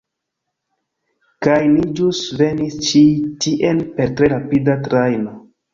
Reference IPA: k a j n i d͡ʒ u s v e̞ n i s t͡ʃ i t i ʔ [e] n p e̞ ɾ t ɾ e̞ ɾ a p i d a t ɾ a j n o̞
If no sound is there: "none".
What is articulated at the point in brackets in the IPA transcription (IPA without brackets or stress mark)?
e